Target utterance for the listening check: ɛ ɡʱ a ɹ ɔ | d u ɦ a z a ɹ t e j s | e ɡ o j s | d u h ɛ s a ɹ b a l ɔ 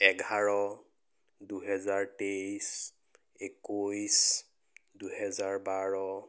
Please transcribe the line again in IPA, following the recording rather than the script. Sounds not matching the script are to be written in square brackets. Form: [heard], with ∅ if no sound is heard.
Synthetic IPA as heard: ɛ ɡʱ a ɹ ɔ | d u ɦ [ɛ] z a ɹ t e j s | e [k] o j s | d u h ɛ [z] a ɹ b a [ɹ] ɔ